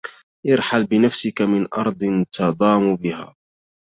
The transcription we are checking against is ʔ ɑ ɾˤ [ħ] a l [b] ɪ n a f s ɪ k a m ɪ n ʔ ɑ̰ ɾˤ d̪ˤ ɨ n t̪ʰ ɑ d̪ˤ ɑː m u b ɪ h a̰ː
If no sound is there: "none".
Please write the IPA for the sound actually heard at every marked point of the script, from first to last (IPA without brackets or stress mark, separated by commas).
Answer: ħ, b